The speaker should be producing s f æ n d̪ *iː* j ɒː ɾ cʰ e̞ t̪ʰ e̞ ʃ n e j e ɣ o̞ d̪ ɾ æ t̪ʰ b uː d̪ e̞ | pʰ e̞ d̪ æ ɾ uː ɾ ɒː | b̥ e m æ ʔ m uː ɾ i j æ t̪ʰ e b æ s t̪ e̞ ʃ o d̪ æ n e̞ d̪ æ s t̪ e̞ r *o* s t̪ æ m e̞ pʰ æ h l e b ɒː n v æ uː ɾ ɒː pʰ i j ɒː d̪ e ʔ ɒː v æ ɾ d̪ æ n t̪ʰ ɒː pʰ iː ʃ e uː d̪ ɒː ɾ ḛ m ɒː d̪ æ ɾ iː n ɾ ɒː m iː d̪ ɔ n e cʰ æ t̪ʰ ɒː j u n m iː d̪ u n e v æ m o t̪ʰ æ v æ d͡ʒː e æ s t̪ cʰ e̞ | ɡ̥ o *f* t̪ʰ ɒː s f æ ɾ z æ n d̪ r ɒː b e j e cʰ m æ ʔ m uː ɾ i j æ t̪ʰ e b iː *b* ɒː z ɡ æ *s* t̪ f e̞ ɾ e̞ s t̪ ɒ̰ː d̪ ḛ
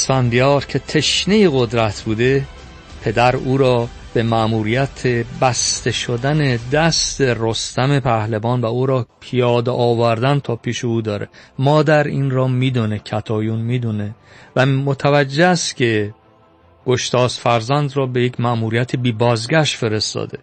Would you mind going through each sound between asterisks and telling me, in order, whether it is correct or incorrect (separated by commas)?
incorrect, correct, incorrect, correct, incorrect